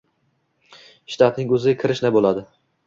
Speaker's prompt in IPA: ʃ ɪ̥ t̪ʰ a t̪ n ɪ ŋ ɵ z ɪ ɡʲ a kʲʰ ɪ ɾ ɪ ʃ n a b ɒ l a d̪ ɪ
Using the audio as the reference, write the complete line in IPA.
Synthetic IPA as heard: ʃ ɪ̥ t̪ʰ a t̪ n ɪ ŋ ɵ z ɪ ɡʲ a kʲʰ ɪ ɾ ɪ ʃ n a b o l a d̪ ɪ

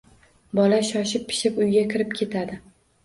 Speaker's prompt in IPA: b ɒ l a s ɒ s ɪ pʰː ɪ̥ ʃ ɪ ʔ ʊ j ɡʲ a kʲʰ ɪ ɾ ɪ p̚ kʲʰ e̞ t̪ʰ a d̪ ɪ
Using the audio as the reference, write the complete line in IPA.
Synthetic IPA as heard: b ɒ l a ʃ ɒ ʃ ɪ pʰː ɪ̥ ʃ ɪ p ʊ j ɡʲ a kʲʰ ɪ ɾ ɪ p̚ kʲʰ e̞ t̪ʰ a d̪ ɪ

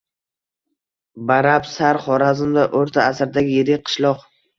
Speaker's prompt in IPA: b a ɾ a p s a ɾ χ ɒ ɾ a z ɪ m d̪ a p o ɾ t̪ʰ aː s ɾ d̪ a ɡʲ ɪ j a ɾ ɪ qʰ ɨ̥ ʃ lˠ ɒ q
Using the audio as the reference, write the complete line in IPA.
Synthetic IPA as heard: b a ɾ a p s a ɾ χ ɒ ɾ a z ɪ m d̪ a ʔ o ɾ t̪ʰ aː s ɾ d̪ a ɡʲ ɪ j e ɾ ɪ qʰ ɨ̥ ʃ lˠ ɒ q

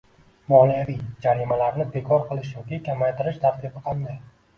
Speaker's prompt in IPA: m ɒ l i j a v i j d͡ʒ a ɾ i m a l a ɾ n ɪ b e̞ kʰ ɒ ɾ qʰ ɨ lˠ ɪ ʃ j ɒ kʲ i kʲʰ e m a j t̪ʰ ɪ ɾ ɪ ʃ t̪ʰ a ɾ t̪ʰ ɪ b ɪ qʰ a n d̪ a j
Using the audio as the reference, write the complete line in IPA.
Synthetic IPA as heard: m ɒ l i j a v i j d͡ʒ a ɾ i m a l a ɾ n ɪ b e̞ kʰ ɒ ɾ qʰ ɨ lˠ ɪ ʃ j ɒ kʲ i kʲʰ a m a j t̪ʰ ɪ ɾ ɪ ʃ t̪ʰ a ɾ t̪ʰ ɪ b ɪ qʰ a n d̪ a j

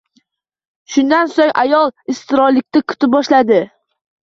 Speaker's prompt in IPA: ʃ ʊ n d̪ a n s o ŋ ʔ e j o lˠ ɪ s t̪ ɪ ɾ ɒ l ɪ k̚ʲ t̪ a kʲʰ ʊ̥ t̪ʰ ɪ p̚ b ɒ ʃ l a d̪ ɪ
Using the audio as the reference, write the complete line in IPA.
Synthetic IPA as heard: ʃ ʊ n d̪ a n s o ŋ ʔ a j ɒ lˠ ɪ s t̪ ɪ ɾ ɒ l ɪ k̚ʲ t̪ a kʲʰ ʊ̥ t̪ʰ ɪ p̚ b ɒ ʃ l a d̪ ɪ

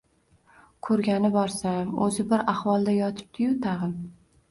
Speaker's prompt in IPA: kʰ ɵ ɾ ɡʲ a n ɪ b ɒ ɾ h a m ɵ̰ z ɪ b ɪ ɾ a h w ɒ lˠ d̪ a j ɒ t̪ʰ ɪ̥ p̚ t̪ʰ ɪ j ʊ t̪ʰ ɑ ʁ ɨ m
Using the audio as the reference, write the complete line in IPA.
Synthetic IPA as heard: kʰ ɵ ɾ ɡʲ a n ɪ b ɒ ɾ s a m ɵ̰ z ɪ b ɪ ɾ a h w ɒ lˠ d̪ a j ɒ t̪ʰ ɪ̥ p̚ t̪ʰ ɪ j ʊ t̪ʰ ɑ ʁ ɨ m

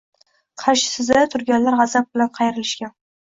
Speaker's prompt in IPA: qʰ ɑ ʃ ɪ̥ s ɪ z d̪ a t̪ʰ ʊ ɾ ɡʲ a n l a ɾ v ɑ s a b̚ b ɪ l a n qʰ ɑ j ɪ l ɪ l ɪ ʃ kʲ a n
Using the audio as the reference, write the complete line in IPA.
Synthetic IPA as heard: qʰ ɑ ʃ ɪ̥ s ɪ z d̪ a t̪ʰ ʊ ɾ ɡʲ a n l a ɾ ʁ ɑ z a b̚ b ɪ l a n qʰ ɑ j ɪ ɾ ɪ l ɪ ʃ kʲ a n

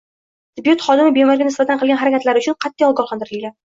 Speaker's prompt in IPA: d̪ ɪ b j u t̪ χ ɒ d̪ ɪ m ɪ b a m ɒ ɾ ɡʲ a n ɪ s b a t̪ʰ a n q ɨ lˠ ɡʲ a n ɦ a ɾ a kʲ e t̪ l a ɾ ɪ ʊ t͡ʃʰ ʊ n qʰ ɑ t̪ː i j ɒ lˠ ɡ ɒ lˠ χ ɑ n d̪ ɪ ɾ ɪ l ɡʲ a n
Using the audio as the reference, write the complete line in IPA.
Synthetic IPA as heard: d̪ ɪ b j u t̪ χ ɒ d̪ ɪ m ɪ b e m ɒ ɾ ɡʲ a n ɪ s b a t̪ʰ a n q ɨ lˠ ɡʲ a n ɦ a ɾ a kʲ a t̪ l a ɾ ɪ ʊ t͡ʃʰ ʊ n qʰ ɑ t̪ː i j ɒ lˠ ɡ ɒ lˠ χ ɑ n d̪ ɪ ɾ ɪ l ɡʲ a n

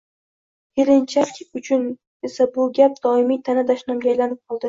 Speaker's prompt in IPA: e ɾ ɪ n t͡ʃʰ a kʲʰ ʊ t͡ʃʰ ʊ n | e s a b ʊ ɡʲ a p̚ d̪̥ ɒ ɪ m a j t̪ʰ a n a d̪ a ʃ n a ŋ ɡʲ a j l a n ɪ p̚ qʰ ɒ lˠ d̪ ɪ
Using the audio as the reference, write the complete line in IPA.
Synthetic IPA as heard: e ɾ ɪ n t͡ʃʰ a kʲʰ ʊ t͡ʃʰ ʊ n | e s a b ʊ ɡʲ a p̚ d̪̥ ɒ ɪ m i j t̪ʰ a n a d̪ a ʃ n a m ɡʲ a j l a n ɪ p̚ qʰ ɒ lˠ d̪ ɪ

